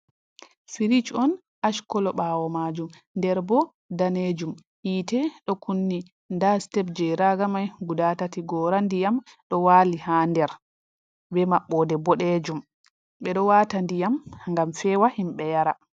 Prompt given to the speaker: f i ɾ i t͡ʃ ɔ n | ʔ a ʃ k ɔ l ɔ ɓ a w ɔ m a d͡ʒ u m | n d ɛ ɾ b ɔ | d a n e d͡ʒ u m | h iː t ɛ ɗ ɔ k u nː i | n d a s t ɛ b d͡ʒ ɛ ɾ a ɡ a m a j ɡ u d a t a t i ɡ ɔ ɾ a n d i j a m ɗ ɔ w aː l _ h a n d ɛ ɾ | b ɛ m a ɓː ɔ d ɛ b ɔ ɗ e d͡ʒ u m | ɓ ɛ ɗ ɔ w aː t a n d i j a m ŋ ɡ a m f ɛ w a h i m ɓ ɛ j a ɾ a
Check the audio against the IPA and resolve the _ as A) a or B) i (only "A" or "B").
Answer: B